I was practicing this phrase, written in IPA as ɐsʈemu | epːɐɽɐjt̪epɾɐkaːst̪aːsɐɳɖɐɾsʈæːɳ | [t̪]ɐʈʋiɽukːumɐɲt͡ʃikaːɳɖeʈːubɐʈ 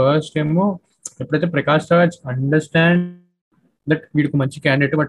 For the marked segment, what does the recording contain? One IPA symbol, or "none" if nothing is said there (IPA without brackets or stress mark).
d̪